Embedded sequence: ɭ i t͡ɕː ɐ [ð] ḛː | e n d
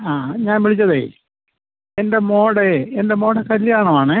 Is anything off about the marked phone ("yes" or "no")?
no